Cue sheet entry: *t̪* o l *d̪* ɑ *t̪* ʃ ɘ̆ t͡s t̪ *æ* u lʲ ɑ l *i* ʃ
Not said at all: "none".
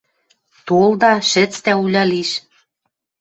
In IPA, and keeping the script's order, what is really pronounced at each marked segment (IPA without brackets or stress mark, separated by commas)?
t̪, d̪, none, æ, i